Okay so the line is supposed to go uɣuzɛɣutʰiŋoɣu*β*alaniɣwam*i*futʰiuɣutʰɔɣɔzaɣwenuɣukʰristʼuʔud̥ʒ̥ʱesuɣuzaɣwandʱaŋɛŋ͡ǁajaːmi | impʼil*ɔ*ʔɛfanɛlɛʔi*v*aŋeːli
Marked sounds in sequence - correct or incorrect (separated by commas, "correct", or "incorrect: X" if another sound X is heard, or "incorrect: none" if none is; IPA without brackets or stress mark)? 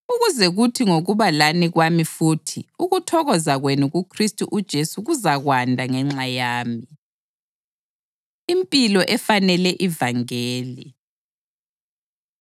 correct, correct, correct, correct